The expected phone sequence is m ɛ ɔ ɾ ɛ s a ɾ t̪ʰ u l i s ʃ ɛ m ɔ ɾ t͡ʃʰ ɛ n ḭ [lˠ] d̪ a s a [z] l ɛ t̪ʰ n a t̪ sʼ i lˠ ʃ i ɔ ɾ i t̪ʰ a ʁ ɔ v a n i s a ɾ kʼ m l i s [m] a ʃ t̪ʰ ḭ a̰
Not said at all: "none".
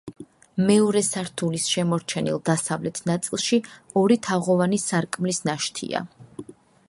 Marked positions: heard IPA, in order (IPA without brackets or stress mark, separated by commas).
lˠ, v, n